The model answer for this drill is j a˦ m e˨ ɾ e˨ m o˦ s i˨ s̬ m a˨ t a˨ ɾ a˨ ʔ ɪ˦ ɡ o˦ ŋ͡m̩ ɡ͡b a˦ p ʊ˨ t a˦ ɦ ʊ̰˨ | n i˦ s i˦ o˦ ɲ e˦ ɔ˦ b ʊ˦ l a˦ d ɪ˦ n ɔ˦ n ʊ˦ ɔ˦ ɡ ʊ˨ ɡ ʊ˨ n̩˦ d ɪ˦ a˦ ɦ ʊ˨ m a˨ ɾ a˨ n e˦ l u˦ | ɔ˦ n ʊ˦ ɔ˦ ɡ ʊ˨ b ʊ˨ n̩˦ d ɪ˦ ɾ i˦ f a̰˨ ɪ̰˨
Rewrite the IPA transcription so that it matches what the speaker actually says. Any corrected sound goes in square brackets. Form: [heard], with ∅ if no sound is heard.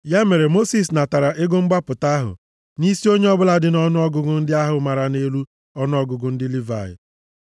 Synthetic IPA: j a˦ m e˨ ɾ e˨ m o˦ s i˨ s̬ [n] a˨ t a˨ ɾ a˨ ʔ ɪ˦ ɡ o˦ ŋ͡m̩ ɡ͡b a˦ p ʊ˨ t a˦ ɦ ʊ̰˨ | n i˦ s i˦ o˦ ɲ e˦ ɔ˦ b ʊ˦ l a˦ d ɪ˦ n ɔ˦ n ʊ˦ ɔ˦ ɡ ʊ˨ ɡ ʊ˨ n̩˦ d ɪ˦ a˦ ɦ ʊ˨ m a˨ ɾ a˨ n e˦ l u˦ | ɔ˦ n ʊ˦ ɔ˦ ɡ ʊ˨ [ɡ] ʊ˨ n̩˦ d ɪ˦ [l] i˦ [v] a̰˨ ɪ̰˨